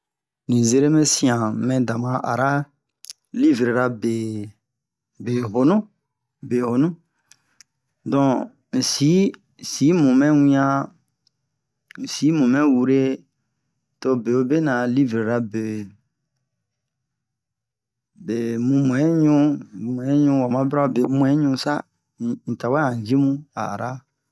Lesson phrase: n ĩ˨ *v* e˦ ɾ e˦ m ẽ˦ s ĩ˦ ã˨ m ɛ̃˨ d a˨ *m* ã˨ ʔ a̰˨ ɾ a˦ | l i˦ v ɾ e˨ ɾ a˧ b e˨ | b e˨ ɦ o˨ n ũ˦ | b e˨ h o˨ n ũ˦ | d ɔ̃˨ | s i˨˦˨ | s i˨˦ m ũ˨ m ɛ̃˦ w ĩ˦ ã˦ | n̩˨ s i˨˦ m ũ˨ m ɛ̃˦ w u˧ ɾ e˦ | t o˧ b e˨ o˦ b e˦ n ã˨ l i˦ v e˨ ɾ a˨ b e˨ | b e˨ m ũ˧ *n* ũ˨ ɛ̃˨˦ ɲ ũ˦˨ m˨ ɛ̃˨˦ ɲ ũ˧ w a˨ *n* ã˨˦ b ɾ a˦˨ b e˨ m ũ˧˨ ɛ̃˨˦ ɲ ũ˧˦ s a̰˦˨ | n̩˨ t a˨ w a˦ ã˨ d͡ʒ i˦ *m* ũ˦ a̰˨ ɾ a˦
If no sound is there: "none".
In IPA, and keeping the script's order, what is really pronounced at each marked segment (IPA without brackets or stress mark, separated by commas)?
z, m, m, m, m